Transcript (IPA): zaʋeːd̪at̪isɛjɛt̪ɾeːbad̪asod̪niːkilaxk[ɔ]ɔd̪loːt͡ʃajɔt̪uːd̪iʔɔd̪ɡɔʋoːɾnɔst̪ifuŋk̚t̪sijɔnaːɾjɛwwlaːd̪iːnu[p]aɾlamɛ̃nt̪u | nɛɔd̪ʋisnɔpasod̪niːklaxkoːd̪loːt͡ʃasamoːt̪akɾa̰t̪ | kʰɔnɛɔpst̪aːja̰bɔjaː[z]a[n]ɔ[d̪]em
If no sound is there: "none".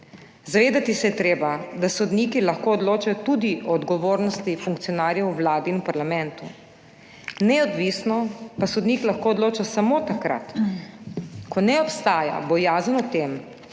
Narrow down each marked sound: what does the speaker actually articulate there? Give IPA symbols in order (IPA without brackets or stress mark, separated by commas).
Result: o, p, z, n, t̪